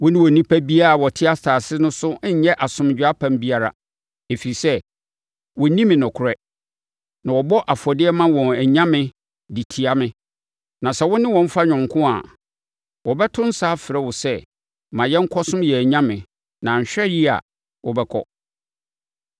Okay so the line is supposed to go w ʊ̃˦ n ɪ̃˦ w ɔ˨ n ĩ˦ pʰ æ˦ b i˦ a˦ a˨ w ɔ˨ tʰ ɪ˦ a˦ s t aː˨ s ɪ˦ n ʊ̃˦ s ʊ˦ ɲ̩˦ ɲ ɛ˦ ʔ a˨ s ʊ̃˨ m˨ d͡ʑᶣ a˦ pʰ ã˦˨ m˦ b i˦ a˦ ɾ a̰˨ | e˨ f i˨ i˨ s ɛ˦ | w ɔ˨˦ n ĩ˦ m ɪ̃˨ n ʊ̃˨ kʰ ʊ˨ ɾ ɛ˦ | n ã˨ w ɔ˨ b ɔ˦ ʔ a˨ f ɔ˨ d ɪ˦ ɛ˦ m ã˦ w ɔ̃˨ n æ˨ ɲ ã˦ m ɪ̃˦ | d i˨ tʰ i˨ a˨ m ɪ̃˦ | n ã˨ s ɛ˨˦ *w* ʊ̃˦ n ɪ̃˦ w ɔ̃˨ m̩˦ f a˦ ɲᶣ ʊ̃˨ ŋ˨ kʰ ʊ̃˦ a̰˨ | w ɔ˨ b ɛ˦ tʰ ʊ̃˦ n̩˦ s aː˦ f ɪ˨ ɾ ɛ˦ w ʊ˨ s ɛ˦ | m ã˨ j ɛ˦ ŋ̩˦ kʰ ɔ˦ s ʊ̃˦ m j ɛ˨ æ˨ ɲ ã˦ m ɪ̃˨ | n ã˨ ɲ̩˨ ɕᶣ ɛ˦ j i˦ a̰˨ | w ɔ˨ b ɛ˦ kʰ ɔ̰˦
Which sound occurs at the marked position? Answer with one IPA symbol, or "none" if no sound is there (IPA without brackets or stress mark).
w